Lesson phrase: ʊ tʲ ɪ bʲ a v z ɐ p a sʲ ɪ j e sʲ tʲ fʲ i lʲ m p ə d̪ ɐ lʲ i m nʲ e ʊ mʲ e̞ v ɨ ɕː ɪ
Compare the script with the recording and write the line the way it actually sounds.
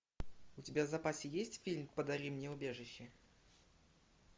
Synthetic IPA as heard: ʊ tʲ ɪ bʲ a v z ɐ p a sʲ ɪ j e sʲ tʲ fʲ i lʲ m p ə d̪ ɐ ɾʲ i m nʲ e ʊ bʲ e̞ ʐ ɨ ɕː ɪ

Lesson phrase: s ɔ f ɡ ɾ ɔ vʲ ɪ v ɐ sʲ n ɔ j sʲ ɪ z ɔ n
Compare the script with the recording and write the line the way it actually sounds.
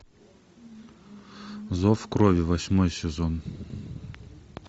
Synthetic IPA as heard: z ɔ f k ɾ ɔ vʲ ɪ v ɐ sʲ m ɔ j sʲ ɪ z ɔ n

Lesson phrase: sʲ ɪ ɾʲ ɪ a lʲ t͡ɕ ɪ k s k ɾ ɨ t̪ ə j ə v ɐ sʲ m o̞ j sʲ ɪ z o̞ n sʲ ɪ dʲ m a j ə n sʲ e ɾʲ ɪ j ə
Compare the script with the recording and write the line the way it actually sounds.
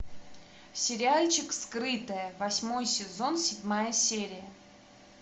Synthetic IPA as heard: sʲ ɪ ɾʲ ɪ a lʲ t͡ɕ ɪ k s k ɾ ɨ t̪ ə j ə v ɐ sʲ m o̞ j sʲ ɪ z o̞ n sʲ ɪ dʲ m a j ə sʲ e ɾʲ ɪ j ə

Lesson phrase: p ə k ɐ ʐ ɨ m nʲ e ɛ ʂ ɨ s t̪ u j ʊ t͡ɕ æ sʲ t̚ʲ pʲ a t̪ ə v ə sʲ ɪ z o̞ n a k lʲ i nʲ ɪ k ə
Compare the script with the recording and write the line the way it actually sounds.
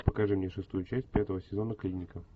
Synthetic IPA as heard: p ə k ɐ ʐ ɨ m nʲ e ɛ ʂ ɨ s t̪ u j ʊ t͡ɕ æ sʲ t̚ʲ pʲ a t̪ ə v ə sʲ ɪ z o̞ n ə k lʲ i nʲ ɪ k ə

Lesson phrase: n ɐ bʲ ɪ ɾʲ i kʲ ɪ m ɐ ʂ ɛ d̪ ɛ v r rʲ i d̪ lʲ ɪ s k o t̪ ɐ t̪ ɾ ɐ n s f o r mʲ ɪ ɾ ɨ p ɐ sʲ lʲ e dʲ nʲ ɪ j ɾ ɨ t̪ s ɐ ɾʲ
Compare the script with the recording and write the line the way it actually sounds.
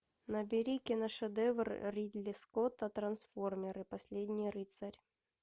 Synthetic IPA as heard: n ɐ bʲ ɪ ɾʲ i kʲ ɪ n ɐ ʂ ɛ d̪ ɛ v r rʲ i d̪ lʲ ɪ s k o t̪ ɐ t̪ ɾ ɐ n s f o r mʲ ɪ ɾ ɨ p ɐ sʲ lʲ e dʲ nʲ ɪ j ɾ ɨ t̪ s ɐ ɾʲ

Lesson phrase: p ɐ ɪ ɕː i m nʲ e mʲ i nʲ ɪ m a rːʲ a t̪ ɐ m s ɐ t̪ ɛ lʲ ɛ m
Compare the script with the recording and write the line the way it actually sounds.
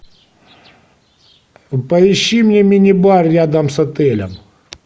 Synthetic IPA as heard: p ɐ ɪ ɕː i m nʲ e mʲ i nʲ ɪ b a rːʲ a d̪ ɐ m s ɐ t̪ ɛ lʲ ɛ m

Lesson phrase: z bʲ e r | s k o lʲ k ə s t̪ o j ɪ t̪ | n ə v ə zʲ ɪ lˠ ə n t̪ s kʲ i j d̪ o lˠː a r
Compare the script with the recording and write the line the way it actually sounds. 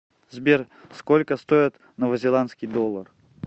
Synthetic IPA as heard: z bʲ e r | s k o lʲ k ə s t̪ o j ɪ t̪ | n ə v ə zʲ ɪ lˠ a n t̪ s kʲ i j d̪ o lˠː ə r

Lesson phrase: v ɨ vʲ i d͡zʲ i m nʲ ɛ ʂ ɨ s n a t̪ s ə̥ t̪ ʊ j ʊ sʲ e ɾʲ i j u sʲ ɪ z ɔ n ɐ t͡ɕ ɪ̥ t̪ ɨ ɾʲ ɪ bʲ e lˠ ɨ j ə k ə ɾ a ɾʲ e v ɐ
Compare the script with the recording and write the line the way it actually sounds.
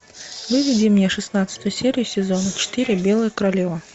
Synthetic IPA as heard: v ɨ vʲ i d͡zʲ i m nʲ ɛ ʂ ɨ s n a t̪ s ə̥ t̪ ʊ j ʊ sʲ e ɾʲ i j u sʲ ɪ z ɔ n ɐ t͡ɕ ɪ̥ t̪ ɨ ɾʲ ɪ bʲ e lˠ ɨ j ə k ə ɾ a lʲ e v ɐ

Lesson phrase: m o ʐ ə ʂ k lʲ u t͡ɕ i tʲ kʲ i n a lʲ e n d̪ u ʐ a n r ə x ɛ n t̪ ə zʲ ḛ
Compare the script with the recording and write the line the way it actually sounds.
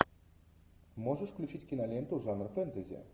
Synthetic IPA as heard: m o ʐ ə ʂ k lʲ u t͡ɕ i tʲ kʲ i n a lʲ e n t̪ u ʐ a n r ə f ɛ n t̪ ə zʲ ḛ

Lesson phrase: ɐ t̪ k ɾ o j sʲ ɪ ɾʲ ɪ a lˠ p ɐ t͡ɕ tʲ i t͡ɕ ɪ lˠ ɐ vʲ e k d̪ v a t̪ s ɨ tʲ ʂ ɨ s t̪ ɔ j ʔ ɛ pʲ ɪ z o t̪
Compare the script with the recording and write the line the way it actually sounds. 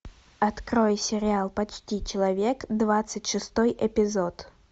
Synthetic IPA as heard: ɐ t̪ k ɾ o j sʲ ɪ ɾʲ ɪ a lˠ p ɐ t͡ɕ tʲ i t͡ɕ ɪ lˠ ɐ vʲ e k d̪ v a t̪ s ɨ tʲ ʂ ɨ s t̪ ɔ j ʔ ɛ pʲ ɪ z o t̪

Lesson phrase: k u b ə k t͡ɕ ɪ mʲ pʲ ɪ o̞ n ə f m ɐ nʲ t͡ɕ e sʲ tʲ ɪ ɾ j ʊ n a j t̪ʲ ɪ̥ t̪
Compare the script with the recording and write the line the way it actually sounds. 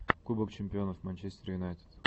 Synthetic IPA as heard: k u b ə k t͡ɕ ɪ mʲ pʲ ɪ o̞ n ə f m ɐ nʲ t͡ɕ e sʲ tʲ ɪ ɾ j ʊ n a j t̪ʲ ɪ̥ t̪

